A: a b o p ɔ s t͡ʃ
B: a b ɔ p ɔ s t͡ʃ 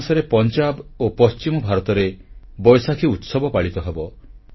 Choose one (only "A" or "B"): A